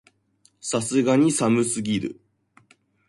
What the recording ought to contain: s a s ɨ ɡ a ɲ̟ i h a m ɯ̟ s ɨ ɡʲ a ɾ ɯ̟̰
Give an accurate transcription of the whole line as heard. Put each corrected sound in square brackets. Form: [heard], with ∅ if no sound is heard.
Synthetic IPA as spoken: s a s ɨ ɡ a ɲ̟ i [s] a m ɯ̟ s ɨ ɡʲ [i] ɾ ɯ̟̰